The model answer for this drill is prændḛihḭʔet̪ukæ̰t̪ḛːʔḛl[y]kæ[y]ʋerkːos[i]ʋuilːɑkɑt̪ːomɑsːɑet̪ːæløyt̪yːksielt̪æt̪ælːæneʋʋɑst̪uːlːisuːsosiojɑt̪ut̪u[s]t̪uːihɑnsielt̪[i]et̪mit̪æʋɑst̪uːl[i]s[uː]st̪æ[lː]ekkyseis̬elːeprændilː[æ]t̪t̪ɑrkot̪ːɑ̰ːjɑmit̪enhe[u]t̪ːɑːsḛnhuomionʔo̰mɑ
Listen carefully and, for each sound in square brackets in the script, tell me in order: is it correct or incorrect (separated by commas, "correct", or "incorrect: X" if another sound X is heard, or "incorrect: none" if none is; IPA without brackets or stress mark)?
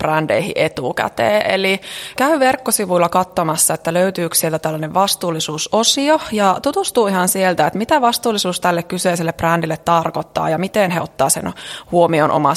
incorrect: i, correct, correct, correct, incorrect: æ, correct, correct, correct, incorrect: e, incorrect: o